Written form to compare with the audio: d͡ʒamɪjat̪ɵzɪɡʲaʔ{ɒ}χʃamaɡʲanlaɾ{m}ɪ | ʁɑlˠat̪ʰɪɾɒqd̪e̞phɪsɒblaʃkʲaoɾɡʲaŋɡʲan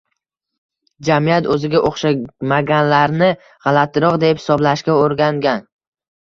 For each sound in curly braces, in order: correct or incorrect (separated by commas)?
incorrect, incorrect